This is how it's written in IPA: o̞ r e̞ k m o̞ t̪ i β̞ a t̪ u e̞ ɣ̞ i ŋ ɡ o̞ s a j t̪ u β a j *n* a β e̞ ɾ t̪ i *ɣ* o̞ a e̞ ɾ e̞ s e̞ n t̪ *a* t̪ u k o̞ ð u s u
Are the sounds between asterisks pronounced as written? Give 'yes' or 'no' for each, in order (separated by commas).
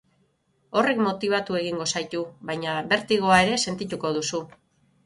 no, yes, no